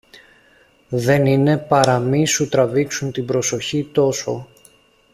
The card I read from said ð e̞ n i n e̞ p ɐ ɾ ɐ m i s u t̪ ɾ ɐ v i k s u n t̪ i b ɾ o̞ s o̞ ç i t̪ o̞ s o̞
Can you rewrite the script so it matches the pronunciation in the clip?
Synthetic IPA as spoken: ð e̞ n i n e̞ p ɐ ɾ ɐ m i s u t̪ ɾ ɐ v i k s u n t̪ i b ɾ o̞ s o̞ ç i t̪ o̞ s o̞